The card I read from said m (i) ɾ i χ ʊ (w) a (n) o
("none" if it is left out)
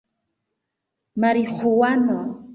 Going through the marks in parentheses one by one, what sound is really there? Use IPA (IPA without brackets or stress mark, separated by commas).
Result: a, w, n